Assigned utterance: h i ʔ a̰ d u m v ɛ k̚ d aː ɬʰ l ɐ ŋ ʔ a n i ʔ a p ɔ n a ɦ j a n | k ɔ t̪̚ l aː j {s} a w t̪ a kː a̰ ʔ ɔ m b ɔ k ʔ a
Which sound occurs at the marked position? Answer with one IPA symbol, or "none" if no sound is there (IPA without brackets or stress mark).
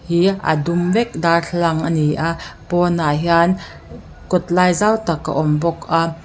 z